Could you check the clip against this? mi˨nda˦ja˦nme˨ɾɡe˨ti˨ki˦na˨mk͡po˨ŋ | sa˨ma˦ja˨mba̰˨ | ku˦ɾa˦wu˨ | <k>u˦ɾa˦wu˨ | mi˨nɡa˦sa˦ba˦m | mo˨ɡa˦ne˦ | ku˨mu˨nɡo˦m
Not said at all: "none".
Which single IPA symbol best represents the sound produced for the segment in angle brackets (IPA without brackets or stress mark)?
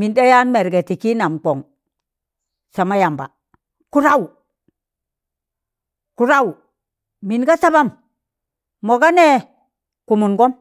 k